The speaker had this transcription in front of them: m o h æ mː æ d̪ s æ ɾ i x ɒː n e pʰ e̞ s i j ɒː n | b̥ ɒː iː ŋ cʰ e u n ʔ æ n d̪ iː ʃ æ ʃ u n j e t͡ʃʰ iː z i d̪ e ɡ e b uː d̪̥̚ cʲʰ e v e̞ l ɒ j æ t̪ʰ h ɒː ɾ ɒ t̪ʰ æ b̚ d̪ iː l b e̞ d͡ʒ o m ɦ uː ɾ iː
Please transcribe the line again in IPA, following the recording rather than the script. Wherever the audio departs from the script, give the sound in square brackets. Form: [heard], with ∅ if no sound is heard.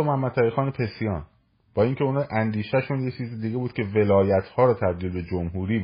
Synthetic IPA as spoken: m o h æ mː æ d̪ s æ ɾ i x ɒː n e pʰ e̞ s i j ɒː n | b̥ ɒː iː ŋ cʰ e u n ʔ æ n d̪ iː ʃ æ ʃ u n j e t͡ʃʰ iː z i d̪ [i] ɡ e b uː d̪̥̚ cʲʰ e v e̞ l [ɒː] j æ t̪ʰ h ɒː ɾ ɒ t̪ʰ æ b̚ d̪ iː l b e̞ d͡ʒ o m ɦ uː ɾ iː